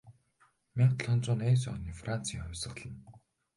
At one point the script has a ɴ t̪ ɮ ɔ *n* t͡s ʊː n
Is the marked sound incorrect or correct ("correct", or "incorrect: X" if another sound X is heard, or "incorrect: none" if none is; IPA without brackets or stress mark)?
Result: correct